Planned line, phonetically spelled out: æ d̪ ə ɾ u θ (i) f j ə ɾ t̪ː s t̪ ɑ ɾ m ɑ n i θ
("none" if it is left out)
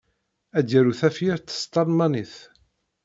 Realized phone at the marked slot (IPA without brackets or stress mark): æ